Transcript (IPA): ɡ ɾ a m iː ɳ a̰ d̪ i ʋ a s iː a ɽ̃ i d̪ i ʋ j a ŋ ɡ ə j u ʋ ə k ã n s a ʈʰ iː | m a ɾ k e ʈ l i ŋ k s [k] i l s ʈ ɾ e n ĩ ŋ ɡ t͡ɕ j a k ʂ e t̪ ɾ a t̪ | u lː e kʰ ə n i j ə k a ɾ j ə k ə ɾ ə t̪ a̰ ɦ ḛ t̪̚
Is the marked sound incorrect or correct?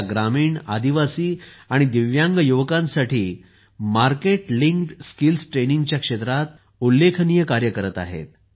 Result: correct